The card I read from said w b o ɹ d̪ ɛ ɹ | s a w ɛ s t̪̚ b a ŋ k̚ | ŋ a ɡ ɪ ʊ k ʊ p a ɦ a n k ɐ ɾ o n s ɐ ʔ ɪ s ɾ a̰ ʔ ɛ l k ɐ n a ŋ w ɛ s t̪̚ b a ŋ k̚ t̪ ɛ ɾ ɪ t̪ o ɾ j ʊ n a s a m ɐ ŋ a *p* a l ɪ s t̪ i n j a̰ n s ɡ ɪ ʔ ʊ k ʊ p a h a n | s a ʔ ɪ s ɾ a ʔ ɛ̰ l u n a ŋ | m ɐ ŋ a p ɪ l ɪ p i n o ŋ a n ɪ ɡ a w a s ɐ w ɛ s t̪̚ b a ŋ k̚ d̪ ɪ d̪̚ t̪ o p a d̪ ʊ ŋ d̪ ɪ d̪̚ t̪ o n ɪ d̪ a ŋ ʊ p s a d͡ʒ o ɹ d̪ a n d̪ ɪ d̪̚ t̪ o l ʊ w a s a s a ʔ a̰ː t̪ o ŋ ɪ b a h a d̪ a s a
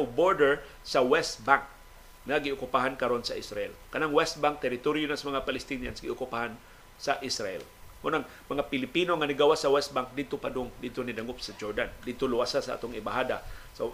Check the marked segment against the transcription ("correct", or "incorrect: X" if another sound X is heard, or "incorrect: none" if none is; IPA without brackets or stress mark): correct